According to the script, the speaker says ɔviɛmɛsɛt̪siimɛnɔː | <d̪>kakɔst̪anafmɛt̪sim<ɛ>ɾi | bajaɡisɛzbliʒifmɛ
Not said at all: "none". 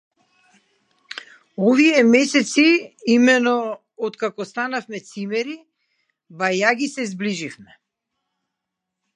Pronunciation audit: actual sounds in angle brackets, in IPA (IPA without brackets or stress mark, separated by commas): t̪, ɛ